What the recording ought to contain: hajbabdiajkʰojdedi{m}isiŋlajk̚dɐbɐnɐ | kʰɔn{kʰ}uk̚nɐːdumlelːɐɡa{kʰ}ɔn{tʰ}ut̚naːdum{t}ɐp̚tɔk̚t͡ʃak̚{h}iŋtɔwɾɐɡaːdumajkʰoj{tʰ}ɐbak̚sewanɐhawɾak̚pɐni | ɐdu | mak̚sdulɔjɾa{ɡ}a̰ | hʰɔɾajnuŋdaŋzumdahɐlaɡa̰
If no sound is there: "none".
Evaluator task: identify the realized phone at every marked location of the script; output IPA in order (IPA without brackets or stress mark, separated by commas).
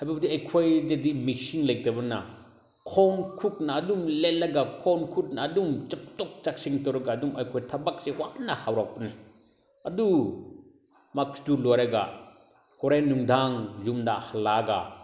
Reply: m, kʰ, kʰ, kʰ, t͡ʃ, s, tʰ, ɡ